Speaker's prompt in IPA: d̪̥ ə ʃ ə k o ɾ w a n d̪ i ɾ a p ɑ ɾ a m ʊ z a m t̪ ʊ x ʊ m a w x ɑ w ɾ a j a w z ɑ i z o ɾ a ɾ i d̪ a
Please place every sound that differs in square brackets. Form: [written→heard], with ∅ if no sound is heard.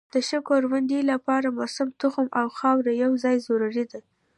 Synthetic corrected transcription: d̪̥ ə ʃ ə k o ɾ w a n d̪ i [ɾ→l] a p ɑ ɾ a m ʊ [z→s] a m t̪ ʊ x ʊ m a w x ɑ w ɾ a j a w z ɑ [i→j] z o ɾ a ɾ i d̪ a